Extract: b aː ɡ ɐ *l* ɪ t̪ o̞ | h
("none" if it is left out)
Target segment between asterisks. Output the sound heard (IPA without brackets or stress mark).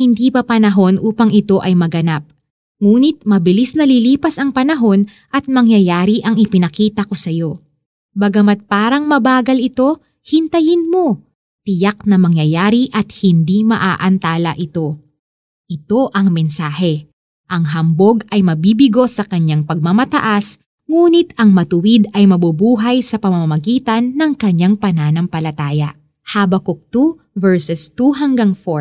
l